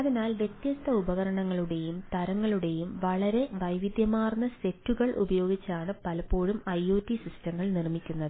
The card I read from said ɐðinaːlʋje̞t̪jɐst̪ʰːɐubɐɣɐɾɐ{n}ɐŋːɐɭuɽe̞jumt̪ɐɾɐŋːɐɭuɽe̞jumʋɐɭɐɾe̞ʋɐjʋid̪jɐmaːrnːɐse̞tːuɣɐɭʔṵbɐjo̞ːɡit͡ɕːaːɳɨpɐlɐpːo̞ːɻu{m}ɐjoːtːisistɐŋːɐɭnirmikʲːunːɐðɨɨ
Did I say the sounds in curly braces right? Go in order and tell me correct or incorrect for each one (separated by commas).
incorrect, correct